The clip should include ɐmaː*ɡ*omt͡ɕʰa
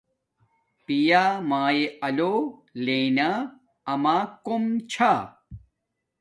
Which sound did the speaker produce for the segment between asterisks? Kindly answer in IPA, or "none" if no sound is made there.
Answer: k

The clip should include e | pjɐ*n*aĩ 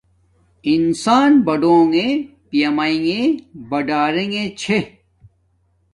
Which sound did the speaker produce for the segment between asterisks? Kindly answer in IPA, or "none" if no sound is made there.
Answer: m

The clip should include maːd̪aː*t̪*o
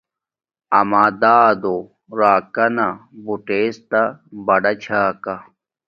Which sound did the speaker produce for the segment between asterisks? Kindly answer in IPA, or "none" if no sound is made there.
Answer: d̪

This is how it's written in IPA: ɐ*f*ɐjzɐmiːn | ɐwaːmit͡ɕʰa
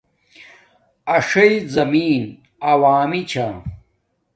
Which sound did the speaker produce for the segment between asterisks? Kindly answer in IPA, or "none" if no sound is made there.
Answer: ʂ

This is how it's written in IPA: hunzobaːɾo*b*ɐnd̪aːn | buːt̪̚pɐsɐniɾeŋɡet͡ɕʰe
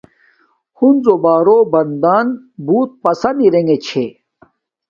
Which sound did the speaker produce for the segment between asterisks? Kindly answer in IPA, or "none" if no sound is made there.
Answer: b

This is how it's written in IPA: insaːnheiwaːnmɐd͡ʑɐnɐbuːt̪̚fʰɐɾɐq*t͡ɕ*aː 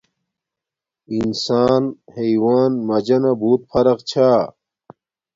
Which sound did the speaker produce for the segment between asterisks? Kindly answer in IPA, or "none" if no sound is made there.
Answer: t͡ɕʰ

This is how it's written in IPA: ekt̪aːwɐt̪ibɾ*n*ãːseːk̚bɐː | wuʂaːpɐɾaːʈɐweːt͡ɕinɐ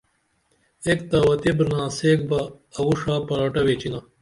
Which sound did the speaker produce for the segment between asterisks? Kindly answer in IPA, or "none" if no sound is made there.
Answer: n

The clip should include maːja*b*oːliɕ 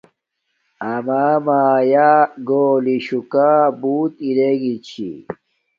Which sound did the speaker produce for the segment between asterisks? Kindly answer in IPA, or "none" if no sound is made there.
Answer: ɡ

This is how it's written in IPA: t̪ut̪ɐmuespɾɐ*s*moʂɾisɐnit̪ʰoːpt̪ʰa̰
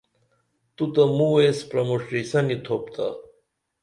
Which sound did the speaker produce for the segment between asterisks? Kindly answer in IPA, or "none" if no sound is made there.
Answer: none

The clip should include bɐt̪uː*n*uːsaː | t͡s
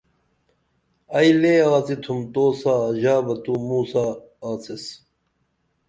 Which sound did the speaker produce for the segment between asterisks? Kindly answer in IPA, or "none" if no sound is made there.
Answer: m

